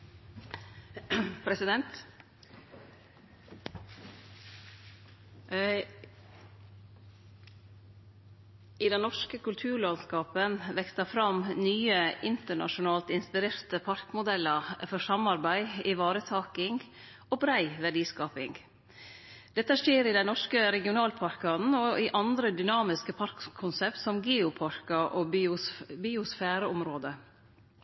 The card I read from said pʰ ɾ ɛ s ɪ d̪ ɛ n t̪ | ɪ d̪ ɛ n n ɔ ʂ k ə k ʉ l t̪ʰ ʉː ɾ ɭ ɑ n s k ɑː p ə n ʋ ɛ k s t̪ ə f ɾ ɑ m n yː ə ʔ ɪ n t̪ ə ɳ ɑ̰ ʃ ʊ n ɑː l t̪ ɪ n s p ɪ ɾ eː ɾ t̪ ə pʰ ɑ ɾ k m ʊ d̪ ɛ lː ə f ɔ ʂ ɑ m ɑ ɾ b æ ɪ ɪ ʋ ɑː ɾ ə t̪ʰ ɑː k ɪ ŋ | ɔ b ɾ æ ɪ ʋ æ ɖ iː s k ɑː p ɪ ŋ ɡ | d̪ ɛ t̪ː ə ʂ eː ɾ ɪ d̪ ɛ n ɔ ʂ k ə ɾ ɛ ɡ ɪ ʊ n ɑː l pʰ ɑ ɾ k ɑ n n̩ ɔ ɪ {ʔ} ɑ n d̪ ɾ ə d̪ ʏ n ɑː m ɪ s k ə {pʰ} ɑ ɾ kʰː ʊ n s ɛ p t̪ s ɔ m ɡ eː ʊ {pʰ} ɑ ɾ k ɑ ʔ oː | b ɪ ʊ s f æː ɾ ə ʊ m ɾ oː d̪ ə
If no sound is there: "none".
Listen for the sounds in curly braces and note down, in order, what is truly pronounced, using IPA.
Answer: ʔ, pʰ, pʰ

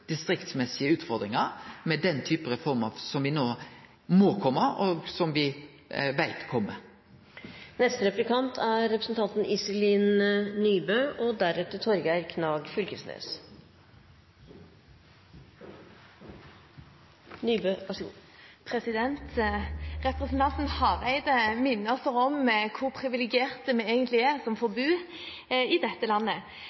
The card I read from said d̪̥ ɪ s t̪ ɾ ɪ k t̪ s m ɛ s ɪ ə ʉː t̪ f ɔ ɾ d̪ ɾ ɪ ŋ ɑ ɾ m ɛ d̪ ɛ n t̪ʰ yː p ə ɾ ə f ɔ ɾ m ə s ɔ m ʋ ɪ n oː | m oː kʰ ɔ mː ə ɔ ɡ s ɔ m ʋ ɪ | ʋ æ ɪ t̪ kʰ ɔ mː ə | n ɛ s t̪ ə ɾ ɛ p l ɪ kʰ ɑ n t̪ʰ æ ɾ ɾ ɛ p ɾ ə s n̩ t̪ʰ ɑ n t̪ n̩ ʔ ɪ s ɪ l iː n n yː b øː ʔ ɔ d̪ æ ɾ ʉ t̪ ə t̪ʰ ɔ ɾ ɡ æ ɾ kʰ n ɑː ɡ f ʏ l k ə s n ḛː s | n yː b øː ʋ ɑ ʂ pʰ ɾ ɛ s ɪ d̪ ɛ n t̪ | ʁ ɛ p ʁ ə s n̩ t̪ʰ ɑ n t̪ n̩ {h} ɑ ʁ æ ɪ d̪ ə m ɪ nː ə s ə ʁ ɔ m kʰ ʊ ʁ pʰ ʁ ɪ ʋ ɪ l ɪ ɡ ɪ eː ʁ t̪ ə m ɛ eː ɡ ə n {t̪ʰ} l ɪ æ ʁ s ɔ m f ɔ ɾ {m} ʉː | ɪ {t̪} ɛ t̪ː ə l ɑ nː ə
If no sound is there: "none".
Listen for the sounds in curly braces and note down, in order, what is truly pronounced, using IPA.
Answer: h, t̪, b, d̪

